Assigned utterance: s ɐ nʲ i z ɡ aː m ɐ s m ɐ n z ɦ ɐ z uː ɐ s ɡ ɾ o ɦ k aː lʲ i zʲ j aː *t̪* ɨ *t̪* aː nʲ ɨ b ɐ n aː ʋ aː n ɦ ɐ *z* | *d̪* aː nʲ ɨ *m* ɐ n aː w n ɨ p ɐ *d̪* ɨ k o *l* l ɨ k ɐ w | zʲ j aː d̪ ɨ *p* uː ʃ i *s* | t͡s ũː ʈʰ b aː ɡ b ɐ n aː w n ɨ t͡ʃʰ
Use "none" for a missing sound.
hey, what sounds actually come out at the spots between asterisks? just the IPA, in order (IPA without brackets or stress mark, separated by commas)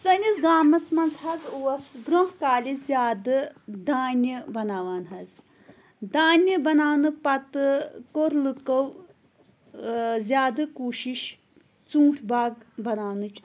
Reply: d̪, d̪, z, d̪, b, t̪, ɾ, k, ʃ